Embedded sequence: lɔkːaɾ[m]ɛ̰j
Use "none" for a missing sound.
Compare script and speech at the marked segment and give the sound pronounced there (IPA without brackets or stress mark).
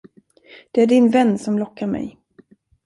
m